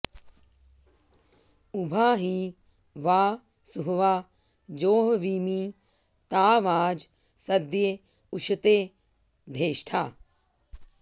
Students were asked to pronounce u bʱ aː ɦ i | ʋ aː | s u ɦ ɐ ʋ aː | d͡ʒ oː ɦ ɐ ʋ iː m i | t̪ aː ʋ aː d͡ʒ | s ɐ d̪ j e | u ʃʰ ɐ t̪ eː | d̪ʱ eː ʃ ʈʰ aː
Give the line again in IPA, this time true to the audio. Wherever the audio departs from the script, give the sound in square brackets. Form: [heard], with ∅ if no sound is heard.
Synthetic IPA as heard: u bʱ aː ɦ i | ʋ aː | s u ɦ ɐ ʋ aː | d͡ʒ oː ɦ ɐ ʋ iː m i | t̪ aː ʋ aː d͡ʒ | s ɐ d̪ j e | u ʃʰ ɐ t̪ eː | d̪ʱ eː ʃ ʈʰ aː